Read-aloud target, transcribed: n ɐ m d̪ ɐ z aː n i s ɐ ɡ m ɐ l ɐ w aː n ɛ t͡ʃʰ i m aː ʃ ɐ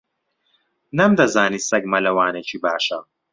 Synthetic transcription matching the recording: n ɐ m d̪ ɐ z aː n i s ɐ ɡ m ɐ l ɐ w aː n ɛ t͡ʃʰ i b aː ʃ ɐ

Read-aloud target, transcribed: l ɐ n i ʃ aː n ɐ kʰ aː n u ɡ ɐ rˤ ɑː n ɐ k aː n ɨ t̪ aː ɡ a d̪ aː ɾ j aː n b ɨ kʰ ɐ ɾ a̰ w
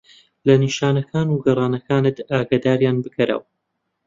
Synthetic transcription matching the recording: l ɐ n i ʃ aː n ɐ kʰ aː n u ɡ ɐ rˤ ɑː n ɐ k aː n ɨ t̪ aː ɡ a d̪ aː ɾ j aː n b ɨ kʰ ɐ ɾ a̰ w

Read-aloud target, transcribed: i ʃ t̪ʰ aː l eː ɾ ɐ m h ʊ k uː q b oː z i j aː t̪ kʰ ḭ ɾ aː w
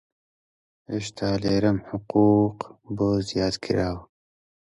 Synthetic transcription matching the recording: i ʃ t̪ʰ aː l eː ɾ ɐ m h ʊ q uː q b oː z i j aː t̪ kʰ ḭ ɾ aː w

